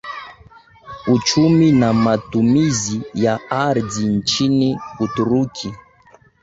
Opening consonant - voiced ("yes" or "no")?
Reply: no